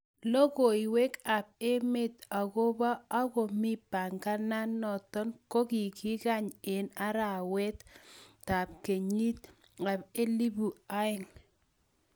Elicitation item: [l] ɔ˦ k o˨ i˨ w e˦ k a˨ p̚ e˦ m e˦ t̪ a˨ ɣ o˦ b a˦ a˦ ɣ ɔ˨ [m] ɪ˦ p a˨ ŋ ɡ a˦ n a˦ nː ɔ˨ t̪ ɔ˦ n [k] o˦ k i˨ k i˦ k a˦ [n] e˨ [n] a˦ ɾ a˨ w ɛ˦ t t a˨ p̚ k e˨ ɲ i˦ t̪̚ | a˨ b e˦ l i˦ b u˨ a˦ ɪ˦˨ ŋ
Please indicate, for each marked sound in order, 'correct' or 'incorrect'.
correct, correct, correct, incorrect: ɲ, correct

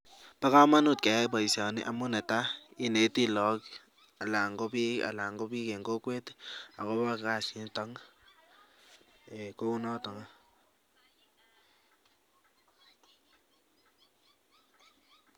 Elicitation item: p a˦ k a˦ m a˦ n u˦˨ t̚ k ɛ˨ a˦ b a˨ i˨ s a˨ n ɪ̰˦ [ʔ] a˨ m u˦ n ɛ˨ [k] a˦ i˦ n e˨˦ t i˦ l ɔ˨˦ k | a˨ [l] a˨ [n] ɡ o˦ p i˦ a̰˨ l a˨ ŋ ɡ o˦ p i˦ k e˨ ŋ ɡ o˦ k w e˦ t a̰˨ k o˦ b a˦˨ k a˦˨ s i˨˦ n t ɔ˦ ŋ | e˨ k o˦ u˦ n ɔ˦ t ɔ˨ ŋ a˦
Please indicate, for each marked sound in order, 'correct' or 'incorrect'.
correct, incorrect: t, correct, incorrect: ŋ

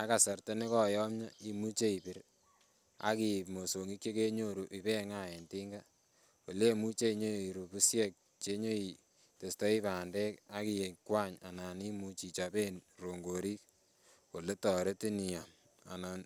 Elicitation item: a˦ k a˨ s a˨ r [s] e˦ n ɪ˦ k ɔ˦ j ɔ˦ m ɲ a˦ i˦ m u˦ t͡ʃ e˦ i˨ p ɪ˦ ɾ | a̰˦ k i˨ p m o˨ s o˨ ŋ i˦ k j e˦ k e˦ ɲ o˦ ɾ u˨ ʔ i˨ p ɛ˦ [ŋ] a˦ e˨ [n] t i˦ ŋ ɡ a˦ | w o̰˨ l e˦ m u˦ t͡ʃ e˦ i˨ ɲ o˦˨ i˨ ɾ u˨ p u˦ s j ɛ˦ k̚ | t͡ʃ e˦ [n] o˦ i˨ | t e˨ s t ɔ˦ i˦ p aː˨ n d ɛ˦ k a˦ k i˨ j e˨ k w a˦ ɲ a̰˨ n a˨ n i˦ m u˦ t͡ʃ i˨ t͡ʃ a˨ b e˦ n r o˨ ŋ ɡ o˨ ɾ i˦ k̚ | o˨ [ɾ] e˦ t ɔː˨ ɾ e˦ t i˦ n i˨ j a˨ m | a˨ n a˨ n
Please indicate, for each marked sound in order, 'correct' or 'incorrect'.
incorrect: t, correct, correct, incorrect: ɲ, incorrect: l

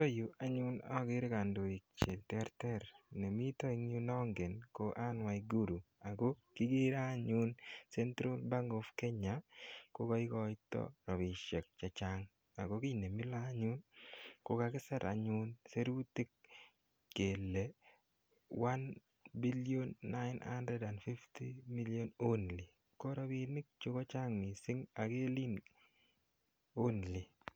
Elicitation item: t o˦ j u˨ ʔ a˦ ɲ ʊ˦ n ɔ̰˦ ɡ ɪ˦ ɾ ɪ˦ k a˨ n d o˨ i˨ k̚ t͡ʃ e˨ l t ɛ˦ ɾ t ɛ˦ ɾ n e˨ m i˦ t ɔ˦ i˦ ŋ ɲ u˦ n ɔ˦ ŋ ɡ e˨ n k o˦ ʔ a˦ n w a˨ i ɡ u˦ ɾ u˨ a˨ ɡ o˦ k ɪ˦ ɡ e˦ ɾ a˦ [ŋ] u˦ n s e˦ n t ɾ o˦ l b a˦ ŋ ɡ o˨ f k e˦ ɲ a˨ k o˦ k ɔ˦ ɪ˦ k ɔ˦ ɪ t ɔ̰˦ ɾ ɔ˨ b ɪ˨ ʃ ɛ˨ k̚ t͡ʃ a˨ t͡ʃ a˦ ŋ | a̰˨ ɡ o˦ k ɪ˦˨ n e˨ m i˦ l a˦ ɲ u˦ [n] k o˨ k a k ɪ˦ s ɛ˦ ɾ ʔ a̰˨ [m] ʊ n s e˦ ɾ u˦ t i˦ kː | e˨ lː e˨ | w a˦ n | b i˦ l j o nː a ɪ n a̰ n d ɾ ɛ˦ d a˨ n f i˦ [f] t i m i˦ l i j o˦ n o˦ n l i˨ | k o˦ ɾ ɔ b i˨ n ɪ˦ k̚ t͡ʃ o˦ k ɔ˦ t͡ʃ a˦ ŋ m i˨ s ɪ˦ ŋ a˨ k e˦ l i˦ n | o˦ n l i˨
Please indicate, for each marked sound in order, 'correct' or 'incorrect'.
incorrect: ɲ, correct, incorrect: ɲ, correct

